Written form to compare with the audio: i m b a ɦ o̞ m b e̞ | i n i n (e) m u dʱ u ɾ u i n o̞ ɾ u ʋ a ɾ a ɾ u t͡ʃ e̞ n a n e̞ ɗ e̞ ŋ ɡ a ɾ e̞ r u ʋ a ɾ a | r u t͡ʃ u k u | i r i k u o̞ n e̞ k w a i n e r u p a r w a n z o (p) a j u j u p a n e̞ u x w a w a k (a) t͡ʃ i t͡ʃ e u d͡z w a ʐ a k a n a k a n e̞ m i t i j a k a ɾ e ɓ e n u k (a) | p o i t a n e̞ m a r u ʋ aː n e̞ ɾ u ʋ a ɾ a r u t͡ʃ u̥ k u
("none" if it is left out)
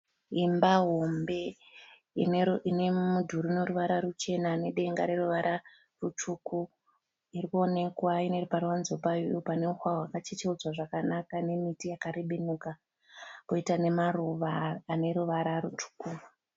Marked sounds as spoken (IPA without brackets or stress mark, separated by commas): e, p, a, a